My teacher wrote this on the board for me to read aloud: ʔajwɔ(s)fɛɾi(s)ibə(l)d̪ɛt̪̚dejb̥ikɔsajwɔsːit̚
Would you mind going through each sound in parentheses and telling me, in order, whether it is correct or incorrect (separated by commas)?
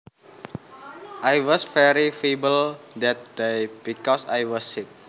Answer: correct, incorrect, correct